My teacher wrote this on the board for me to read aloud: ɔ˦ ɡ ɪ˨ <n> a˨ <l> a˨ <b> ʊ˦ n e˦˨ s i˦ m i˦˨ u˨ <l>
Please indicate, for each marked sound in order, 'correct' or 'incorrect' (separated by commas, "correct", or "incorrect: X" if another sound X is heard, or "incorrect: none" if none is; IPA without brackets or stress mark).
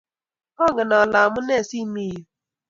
correct, correct, incorrect: m, incorrect: none